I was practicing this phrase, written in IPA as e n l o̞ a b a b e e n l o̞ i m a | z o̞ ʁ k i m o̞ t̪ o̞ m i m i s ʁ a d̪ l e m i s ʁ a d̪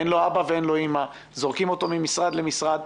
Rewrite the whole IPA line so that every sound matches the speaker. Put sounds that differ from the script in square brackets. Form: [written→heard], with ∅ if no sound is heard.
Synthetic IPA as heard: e n l o̞ a b a [b→v] e e n l o̞ i m a | z o̞ ʁ k i m o̞ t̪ o̞ m i m i s ʁ a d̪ l e m i s ʁ a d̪